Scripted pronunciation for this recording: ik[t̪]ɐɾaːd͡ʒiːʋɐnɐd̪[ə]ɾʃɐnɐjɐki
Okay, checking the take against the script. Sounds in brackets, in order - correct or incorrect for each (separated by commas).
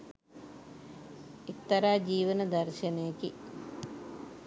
correct, incorrect